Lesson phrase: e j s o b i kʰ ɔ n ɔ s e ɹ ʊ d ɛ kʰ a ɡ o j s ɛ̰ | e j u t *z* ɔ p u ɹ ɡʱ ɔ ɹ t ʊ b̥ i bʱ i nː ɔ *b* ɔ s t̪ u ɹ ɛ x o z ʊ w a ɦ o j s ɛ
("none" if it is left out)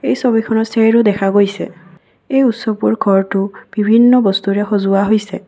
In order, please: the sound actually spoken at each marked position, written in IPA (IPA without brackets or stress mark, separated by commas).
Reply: s, b